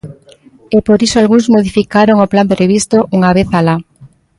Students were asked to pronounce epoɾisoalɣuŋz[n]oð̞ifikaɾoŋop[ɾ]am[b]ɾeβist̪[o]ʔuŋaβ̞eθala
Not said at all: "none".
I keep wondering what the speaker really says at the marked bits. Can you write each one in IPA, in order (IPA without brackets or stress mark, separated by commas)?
m, l, p, o